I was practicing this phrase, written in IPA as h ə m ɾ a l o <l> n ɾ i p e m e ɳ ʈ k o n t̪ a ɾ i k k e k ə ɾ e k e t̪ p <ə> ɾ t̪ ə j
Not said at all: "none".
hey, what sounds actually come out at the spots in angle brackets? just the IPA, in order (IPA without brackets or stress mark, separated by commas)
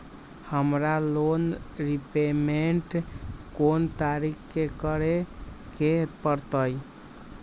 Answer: none, ə